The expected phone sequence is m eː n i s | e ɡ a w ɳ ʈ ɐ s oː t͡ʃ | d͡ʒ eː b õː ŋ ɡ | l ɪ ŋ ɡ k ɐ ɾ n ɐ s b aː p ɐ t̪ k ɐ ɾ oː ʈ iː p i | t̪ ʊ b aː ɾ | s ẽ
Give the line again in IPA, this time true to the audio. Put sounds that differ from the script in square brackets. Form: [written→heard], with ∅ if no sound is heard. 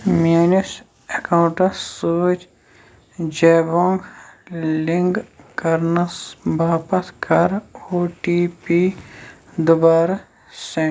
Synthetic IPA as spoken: m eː n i s | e [ɡ→k] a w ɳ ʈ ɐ s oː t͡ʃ | d͡ʒ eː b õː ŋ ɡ | l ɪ ŋ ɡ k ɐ ɾ n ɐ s b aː p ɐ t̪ k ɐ ɾ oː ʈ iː p i | [t̪→d̪] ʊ b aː ɾ | s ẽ